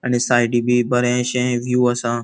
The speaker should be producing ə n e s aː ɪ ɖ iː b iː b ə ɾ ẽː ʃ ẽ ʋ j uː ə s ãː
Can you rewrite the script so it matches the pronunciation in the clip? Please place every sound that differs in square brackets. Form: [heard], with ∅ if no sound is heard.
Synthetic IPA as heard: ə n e s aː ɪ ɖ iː b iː b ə ɾ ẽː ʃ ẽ ʋ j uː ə s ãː